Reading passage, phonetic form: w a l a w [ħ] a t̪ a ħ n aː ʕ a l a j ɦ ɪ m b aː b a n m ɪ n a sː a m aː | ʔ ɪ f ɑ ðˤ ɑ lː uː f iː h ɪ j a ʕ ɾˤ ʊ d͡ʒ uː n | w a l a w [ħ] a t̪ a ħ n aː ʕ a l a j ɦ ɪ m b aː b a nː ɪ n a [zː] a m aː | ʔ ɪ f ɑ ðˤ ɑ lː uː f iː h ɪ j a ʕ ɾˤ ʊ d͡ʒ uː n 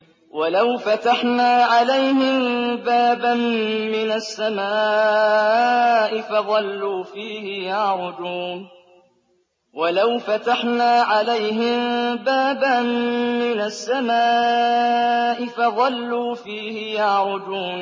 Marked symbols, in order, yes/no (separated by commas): no, no, no